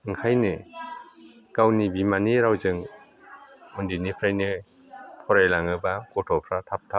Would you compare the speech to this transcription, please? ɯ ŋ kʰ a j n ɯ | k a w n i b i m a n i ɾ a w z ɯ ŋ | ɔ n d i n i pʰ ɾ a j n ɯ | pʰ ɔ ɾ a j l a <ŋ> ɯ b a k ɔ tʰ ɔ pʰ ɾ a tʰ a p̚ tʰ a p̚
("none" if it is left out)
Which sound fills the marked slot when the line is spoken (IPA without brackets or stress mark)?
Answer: ŋ